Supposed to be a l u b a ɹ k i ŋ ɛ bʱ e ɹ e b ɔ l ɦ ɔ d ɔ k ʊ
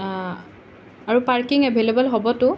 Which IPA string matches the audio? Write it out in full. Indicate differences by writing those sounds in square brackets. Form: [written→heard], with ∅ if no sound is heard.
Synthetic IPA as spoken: a [l→ɹ] u [b→p] a ɹ k i ŋ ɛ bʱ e [ɹ→l] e b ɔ l ɦ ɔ [d→b] ɔ [k→t] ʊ